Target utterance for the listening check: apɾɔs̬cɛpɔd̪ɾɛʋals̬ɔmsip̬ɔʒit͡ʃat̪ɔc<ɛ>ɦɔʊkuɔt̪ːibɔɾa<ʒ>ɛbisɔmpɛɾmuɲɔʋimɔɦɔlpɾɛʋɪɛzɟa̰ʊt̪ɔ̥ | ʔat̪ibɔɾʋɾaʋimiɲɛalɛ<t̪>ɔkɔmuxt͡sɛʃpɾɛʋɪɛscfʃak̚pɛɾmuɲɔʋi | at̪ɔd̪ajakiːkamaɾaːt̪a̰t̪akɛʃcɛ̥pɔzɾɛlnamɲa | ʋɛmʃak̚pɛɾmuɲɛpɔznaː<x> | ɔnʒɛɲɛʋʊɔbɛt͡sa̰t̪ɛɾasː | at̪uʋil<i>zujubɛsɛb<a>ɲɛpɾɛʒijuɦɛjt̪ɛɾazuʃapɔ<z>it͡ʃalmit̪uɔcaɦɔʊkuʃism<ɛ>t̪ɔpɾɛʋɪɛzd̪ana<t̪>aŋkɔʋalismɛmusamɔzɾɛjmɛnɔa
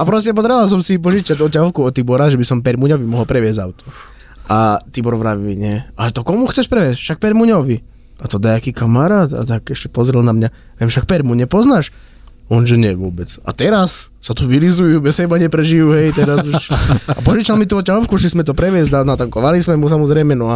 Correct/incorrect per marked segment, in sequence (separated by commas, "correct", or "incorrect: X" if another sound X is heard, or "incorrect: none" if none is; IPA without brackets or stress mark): incorrect: a, correct, correct, incorrect: ʃ, correct, correct, incorrect: ʒ, correct, correct